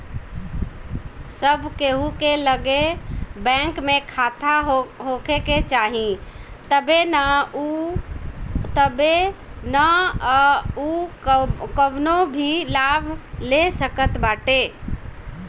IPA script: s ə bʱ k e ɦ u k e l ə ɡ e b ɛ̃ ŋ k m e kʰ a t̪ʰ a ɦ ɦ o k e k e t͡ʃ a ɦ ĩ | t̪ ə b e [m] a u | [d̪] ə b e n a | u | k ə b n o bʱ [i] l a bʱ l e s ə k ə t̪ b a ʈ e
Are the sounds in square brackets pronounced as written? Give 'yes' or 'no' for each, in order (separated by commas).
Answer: no, no, yes